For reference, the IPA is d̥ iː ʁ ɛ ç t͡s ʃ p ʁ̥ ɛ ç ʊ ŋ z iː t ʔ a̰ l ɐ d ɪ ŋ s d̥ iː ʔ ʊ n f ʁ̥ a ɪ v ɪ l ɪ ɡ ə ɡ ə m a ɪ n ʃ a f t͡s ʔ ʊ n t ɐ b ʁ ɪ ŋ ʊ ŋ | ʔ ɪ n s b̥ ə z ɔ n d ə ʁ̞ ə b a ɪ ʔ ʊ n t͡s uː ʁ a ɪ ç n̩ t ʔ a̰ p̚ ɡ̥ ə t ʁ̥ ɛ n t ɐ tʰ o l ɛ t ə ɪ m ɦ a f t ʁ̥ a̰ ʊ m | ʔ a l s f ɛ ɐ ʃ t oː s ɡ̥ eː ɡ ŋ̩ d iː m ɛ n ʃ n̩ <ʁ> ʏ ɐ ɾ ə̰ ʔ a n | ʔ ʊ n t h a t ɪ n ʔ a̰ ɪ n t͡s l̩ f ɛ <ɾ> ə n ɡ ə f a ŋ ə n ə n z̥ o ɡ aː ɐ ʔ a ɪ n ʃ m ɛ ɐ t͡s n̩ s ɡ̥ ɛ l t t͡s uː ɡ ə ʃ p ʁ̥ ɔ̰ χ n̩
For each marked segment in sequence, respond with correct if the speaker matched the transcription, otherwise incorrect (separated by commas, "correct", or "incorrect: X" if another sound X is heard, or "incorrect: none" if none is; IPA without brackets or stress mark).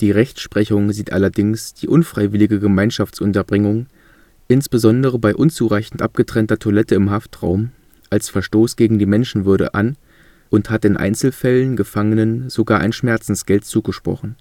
incorrect: v, incorrect: l